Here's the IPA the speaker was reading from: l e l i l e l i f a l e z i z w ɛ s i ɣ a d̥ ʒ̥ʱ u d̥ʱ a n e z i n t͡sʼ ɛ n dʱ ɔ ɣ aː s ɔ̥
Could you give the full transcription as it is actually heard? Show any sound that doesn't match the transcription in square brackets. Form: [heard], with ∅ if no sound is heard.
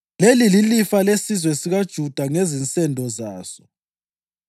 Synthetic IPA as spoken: l e l i l [i] l i f a l e [s] i z w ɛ s i ɣ a d̥ ʒ̥ʱ u d̥ʱ a [ŋ] e z i n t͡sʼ ɛ n dʱ ɔ [z] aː s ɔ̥